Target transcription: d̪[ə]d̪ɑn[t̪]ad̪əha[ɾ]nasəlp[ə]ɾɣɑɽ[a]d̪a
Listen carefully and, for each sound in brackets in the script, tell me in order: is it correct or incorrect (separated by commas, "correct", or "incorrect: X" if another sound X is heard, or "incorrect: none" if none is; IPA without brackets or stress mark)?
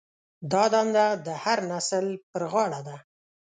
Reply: incorrect: ɑ, incorrect: d̪, correct, correct, correct